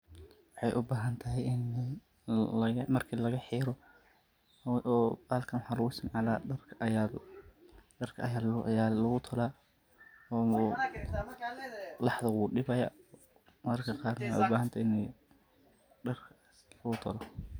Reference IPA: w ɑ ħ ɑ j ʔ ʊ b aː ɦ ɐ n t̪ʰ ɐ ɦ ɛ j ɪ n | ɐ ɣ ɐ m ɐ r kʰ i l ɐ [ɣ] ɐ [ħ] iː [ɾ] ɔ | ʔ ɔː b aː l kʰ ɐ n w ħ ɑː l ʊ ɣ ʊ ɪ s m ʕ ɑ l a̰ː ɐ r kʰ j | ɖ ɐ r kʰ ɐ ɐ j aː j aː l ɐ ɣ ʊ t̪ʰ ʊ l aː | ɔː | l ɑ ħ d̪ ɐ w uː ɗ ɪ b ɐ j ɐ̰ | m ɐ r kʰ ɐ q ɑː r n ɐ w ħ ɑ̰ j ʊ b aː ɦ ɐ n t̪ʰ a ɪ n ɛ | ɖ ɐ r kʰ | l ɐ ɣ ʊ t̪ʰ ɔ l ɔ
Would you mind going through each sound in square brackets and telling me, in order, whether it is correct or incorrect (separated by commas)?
correct, correct, correct